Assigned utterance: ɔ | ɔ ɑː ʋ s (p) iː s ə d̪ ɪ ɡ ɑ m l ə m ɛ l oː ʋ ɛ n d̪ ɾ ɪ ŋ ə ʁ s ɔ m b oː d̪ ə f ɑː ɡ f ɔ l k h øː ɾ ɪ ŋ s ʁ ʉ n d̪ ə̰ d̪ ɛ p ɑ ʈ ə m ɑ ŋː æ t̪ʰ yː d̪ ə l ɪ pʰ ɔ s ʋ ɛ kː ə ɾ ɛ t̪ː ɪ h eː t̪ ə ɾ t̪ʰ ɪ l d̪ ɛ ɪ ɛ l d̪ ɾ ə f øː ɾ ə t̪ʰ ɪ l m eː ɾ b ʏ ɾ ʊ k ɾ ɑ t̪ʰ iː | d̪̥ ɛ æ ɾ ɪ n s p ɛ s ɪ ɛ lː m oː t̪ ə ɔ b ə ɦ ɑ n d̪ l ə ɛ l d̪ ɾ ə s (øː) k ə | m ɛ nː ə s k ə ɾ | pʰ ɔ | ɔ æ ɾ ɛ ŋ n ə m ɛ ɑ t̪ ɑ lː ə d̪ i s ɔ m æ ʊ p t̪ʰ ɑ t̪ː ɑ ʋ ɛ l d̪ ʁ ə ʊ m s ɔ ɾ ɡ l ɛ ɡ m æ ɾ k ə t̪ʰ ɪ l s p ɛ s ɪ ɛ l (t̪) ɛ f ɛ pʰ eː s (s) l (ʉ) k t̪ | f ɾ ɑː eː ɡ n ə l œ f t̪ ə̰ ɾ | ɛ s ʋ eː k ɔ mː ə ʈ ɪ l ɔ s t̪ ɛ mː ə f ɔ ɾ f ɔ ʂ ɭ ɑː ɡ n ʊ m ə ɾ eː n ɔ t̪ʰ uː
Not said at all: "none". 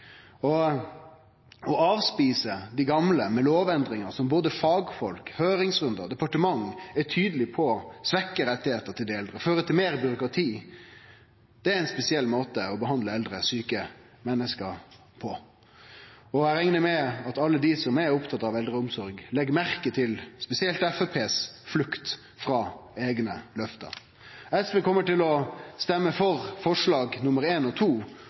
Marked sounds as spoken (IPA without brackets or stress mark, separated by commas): p, yː, t̪, f, ʉ